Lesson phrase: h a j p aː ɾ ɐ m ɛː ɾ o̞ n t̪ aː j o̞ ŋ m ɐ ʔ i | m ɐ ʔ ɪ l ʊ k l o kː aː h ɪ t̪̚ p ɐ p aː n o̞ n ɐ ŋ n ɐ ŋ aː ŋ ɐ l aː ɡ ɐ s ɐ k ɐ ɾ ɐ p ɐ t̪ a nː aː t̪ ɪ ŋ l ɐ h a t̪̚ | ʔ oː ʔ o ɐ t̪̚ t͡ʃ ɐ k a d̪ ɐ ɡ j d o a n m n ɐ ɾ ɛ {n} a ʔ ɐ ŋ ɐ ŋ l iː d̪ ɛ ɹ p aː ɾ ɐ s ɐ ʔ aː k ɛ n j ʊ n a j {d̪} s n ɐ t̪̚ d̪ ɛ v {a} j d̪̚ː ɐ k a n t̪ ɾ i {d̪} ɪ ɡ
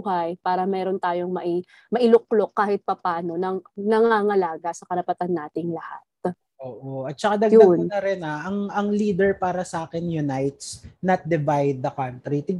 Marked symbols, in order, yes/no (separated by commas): yes, no, yes, no